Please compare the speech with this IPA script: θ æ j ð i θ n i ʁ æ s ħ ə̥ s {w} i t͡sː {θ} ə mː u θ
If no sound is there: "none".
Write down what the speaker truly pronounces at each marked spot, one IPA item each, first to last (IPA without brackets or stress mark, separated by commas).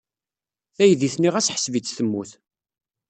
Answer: v, θ